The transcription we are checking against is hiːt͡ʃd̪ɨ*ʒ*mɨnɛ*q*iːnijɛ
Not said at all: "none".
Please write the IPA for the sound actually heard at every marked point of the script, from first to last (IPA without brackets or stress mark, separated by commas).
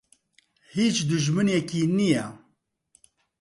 ʒ, k